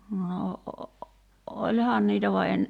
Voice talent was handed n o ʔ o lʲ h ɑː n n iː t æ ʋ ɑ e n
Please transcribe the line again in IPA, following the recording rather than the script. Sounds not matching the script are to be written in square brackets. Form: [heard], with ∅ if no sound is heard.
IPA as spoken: n o ʔ o lʲ h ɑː n n iː t æ ʋ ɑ e n